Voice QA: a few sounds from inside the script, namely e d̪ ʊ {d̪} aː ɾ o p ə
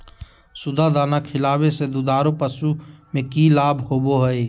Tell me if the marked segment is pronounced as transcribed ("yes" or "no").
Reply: yes